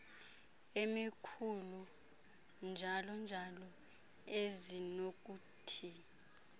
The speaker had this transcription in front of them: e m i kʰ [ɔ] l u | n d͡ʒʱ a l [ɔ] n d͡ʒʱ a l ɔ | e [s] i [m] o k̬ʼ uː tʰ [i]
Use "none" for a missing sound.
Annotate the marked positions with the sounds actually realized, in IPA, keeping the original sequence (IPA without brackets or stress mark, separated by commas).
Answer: u, ɔ, z, n, i